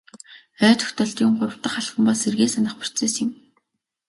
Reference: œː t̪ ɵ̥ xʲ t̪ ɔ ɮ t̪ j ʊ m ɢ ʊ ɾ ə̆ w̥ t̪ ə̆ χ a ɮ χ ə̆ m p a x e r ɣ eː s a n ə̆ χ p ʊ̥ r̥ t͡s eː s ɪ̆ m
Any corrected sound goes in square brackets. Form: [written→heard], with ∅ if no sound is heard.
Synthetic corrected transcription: œː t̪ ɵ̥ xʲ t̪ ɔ ɮ t̪ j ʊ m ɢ ʊ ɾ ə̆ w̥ t̪ ə̆ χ a ɮ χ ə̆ m p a [x→s] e r ɣ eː s a n ə̆ χ p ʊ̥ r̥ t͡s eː s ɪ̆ m